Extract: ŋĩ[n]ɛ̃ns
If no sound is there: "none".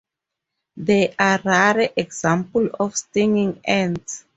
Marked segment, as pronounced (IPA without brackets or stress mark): ŋ